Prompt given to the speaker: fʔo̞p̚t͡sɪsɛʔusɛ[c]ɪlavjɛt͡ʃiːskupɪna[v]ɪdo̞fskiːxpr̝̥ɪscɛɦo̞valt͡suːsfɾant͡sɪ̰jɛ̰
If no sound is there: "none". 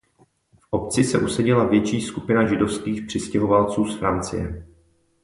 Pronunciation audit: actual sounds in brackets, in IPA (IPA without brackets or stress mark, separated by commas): ɟ, ʒ